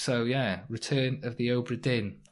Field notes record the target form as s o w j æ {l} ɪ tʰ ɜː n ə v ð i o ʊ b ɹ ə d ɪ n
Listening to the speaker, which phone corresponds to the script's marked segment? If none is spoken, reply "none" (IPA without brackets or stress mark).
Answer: ɹ